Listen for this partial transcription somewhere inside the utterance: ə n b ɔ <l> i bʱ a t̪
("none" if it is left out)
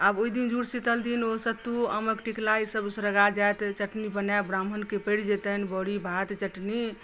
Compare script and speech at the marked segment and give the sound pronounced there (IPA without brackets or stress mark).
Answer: ɽ